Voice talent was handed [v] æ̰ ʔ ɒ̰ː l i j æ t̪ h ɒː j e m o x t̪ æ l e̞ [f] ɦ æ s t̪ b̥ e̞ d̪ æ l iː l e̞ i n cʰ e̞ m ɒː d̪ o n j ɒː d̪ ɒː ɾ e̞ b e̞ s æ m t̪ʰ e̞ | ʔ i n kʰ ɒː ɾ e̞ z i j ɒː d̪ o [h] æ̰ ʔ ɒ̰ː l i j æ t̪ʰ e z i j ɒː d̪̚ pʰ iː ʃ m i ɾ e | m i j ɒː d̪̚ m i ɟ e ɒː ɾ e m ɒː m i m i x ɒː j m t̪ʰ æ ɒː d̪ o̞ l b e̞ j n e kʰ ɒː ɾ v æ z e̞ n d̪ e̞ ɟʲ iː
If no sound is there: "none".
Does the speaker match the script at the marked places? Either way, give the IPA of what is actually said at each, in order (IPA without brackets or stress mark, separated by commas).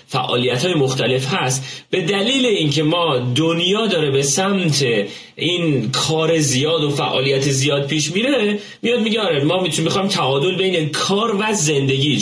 f, f, f